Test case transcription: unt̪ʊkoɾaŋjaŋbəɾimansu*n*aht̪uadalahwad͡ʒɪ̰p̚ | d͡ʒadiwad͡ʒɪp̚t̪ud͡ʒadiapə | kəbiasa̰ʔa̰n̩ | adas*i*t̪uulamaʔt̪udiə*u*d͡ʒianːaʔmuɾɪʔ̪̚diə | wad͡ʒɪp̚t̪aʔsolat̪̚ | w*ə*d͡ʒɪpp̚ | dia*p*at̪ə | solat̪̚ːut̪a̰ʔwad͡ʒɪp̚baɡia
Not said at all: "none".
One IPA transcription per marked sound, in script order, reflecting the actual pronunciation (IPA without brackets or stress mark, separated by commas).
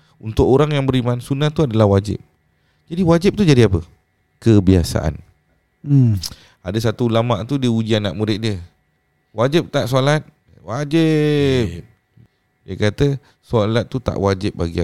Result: n, a, u, a, k